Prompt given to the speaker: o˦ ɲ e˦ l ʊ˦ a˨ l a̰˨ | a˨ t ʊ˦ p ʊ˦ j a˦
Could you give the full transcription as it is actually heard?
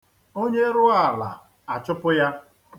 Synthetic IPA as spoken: o˦ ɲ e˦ ɾ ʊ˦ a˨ l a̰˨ | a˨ t͡ʃ ʊ˦ p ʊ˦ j a˦